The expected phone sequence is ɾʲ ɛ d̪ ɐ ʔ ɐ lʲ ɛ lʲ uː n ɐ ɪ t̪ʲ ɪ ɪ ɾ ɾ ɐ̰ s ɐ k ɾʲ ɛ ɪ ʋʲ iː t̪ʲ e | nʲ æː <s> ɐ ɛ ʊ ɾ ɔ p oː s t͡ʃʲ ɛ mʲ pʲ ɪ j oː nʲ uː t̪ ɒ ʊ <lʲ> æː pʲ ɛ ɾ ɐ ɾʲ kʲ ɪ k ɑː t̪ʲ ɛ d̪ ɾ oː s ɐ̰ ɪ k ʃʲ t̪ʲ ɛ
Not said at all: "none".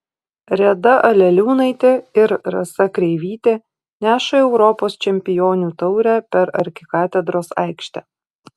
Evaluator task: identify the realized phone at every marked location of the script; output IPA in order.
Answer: ʃ, ɾʲ

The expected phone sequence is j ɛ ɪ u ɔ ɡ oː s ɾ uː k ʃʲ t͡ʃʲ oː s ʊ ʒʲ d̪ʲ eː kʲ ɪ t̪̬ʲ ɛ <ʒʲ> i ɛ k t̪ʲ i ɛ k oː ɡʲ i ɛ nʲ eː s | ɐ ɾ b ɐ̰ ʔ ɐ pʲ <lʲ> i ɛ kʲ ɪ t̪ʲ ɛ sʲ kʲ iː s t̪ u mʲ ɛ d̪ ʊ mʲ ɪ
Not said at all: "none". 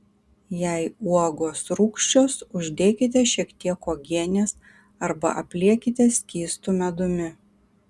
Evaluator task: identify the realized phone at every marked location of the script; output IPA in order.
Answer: ʃʲ, lʲ

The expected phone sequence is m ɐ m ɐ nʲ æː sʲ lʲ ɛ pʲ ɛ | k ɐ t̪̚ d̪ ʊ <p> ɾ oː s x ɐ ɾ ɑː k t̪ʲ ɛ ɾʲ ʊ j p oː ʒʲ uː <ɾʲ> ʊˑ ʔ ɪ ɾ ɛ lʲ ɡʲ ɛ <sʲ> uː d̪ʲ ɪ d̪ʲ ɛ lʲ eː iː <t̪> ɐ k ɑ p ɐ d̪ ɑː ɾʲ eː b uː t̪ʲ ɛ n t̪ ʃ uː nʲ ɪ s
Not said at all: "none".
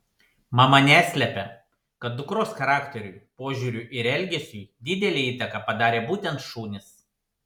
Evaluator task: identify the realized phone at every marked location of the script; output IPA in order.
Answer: k, ɾʲ, sʲ, t̪

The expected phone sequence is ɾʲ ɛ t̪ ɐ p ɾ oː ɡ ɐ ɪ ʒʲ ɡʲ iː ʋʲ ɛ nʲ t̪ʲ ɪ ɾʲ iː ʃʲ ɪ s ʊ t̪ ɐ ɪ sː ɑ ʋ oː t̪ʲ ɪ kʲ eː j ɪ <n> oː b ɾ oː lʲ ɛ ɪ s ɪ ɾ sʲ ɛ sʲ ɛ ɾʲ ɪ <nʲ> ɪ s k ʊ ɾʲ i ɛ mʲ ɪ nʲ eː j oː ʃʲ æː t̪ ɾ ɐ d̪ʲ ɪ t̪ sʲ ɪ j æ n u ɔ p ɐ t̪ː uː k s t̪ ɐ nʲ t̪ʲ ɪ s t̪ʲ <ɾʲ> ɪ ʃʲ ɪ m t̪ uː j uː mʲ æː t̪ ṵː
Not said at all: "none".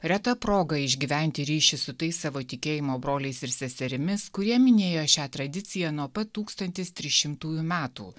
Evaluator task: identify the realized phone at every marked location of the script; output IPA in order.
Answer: m, mʲ, ɾʲ

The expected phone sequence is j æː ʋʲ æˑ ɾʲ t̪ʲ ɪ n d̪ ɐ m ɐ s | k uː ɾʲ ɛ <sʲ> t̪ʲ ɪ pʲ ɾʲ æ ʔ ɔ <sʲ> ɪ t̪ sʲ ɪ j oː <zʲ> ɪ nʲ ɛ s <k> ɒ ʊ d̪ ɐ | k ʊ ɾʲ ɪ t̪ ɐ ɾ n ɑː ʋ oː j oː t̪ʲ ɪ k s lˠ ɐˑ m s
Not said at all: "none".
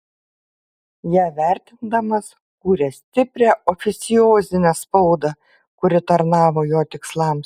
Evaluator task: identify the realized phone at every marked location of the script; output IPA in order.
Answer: sʲ, fʲ, zʲ, p

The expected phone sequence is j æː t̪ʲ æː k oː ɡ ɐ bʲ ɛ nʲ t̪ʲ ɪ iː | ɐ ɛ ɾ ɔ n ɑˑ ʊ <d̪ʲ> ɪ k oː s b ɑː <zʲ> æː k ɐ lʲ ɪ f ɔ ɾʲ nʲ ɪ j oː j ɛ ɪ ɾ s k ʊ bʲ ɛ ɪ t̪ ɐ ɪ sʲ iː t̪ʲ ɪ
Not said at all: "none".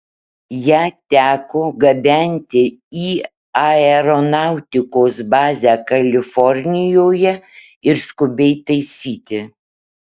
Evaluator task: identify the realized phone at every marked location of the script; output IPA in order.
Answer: t̪ʲ, zʲ

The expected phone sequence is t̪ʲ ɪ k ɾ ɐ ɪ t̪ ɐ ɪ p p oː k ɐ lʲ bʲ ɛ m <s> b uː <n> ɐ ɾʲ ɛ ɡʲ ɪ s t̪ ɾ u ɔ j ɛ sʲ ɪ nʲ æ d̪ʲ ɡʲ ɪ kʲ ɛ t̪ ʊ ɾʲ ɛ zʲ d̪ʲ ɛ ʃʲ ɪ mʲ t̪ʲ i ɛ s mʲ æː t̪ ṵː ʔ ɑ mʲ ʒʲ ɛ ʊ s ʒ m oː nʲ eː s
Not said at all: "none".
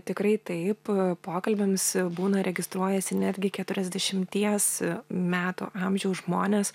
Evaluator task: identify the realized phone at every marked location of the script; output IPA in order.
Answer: s, n

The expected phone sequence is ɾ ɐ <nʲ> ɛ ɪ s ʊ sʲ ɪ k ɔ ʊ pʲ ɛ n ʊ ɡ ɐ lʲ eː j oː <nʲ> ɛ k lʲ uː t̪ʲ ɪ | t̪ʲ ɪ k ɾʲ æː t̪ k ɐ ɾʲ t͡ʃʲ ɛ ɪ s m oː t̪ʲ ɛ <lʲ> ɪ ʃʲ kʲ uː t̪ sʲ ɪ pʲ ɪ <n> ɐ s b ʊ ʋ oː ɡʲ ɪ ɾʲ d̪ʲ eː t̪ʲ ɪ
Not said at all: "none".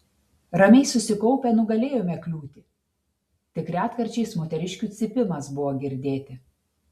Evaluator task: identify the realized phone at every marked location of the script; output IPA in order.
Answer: mʲ, mʲ, ɾʲ, m

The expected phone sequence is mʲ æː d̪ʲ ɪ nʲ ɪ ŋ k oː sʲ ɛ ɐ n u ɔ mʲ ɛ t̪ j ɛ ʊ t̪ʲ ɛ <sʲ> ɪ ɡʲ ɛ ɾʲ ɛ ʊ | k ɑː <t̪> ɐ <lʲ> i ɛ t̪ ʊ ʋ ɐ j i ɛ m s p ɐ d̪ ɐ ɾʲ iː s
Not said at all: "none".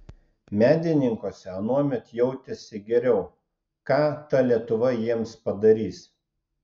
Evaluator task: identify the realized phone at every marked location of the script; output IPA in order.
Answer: sʲ, t̪, lʲ

